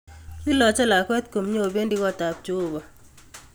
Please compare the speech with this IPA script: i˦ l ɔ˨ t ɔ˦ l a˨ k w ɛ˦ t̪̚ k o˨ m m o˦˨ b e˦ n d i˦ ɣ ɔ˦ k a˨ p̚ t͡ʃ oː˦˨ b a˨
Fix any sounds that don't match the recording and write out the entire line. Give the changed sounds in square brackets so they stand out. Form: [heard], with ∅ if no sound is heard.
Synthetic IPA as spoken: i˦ l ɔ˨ [t͡ʃ] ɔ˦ l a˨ k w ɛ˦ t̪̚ k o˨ m [ɲ] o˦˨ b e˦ n d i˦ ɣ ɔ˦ [t] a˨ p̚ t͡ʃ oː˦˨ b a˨